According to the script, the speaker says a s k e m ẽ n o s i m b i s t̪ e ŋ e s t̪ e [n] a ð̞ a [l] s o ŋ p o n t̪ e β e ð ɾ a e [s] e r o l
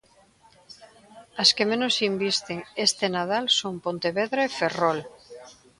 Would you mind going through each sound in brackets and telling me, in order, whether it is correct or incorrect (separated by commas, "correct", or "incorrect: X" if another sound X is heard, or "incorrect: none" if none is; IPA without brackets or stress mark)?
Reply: correct, correct, incorrect: f